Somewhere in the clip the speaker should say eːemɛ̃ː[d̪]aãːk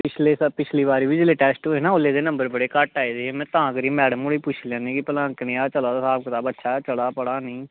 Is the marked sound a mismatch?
yes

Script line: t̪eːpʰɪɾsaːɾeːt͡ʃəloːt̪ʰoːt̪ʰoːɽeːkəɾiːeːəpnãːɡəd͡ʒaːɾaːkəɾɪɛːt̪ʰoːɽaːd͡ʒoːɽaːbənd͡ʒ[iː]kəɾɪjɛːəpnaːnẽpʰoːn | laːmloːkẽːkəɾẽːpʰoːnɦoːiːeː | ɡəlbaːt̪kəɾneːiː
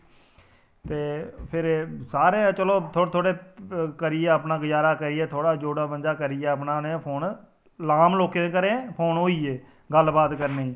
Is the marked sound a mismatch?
yes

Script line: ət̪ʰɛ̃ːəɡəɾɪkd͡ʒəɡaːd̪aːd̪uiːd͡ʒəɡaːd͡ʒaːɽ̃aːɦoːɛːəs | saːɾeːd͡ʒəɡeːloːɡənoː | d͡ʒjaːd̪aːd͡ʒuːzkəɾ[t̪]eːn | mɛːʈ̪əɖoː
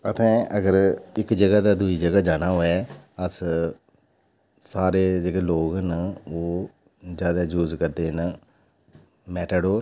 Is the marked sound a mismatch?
yes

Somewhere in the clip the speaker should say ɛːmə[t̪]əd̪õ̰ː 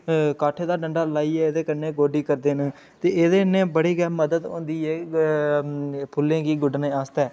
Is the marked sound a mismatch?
yes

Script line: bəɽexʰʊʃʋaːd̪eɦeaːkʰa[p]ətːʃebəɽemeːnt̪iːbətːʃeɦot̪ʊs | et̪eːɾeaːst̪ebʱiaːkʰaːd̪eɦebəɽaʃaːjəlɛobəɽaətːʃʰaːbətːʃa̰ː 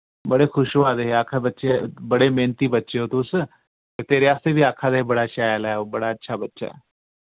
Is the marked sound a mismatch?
yes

